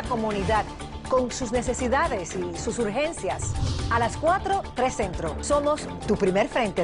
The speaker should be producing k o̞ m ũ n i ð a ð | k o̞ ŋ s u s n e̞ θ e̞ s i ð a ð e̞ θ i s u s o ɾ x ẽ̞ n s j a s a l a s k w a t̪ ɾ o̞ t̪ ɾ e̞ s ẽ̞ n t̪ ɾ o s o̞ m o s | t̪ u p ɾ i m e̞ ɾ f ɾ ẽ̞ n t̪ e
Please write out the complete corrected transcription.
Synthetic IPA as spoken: k o̞ m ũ n i ð a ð | k o̞ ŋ s u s n e̞ s e̞ s i ð a ð e̞ s i s u s u ɾ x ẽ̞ n s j a s a l a s k w a t̪ ɾ o̞ t̪ ɾ e̞ s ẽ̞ n t̪ ɾ o s o̞ m o s | t̪ u p ɾ i m e̞ ɾ f ɾ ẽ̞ n t̪ e